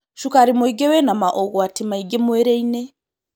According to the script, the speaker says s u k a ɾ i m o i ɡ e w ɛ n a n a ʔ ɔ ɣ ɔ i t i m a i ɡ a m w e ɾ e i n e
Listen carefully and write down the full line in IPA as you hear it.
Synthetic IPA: ʃ u k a ɾ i m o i ɡ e w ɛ n a m a ʔ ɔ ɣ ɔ a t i m a i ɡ e m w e ɾ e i n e